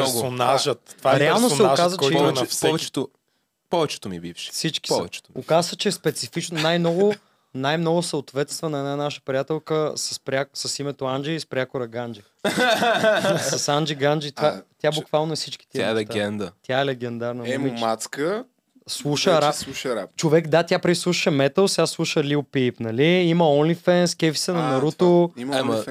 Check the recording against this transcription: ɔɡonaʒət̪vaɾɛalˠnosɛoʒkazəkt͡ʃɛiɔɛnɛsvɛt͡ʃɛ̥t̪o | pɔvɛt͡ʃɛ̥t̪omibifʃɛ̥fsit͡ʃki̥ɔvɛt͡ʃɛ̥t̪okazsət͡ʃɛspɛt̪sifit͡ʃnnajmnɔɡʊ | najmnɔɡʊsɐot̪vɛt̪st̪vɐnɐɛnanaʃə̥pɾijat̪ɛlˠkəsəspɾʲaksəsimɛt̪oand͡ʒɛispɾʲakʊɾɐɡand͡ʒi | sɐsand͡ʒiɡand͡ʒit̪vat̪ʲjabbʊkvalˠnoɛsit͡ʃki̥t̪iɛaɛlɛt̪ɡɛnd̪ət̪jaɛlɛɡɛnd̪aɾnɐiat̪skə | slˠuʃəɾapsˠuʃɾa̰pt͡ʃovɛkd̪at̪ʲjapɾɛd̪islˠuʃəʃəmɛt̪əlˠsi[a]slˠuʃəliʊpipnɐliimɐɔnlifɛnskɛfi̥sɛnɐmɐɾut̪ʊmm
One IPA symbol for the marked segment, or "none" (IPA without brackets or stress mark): a